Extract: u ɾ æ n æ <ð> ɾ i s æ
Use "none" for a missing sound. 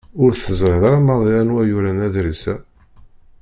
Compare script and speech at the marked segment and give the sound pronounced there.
ð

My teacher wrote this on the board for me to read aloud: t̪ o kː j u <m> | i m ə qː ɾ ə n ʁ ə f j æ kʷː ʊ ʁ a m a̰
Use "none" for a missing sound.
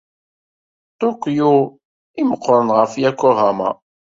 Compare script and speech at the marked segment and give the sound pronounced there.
none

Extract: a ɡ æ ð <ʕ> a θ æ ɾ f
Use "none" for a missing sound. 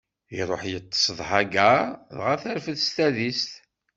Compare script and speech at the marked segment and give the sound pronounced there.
ʁ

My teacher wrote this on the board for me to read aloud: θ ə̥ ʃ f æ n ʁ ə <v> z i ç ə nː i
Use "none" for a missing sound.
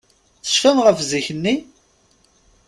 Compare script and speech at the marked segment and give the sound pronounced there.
f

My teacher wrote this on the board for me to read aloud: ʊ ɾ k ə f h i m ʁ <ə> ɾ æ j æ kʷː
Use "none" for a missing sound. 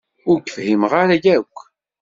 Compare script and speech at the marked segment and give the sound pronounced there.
a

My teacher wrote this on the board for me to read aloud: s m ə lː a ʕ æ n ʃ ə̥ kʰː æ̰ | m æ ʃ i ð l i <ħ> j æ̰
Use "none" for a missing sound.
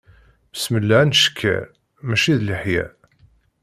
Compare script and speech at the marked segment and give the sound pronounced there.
ħ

